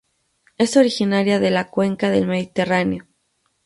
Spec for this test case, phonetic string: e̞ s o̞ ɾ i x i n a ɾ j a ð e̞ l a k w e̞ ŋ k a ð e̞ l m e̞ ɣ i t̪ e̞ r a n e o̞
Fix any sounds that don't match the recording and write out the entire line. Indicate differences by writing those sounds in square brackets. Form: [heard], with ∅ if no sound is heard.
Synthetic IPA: e̞ s o̞ ɾ i x i n a ɾ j a ð e̞ l a k w e̞ ŋ k a ð e̞ l m e̞ [ð] i t̪ e̞ r a n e o̞